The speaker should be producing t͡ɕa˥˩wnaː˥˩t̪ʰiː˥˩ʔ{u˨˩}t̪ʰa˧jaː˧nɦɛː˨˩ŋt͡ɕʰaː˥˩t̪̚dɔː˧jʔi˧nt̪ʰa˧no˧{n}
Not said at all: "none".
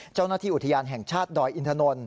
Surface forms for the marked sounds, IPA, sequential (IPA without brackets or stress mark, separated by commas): u˨˩, n